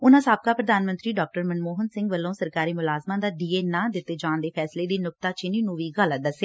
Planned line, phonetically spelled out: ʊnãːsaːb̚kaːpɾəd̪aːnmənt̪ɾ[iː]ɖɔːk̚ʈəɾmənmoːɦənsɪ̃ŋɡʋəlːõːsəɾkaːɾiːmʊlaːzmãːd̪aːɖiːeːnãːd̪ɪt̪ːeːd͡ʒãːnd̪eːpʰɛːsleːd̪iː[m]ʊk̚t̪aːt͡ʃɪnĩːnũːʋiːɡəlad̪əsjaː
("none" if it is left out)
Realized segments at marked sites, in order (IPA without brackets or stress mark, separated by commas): iː, n